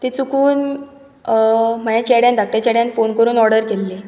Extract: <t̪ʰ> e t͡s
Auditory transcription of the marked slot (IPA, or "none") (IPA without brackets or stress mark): t̪